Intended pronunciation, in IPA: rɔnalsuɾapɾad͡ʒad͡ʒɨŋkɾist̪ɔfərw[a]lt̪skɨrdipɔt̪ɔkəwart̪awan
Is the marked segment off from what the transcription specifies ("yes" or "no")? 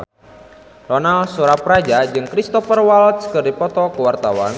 no